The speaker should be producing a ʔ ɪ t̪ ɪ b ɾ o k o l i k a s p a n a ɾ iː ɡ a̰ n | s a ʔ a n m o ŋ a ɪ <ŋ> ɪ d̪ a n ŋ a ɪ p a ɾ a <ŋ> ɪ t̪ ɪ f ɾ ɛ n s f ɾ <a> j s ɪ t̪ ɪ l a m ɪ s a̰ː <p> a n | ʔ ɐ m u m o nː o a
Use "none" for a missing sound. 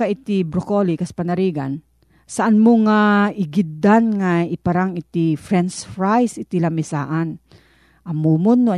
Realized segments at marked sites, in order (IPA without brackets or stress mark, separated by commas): ɡ, ŋ, a, ʔ